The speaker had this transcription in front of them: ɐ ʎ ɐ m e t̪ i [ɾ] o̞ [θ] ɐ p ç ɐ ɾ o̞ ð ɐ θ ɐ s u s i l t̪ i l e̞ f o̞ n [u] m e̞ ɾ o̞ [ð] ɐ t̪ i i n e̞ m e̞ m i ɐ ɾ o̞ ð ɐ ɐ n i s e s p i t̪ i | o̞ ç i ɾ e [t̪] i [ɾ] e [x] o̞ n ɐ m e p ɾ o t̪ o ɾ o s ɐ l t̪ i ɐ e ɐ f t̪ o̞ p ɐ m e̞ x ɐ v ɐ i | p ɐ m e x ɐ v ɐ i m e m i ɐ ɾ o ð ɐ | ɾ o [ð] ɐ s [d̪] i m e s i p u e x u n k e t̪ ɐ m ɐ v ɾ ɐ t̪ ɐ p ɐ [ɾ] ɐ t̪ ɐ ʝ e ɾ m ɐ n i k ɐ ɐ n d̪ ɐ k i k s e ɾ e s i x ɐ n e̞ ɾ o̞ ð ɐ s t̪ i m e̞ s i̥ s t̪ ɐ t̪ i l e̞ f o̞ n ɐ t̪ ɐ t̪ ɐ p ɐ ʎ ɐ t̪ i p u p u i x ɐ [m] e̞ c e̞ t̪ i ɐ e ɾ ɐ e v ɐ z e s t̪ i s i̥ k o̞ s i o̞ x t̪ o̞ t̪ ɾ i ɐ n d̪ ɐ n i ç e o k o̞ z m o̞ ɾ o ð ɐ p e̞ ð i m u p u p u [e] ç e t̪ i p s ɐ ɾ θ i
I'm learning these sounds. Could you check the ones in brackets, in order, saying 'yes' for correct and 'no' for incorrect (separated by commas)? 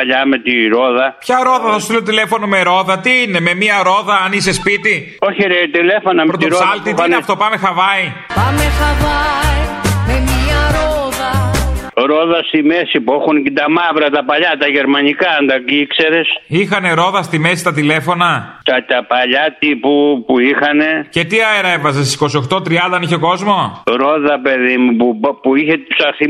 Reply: yes, no, no, yes, yes, no, no, yes, no, no, no, no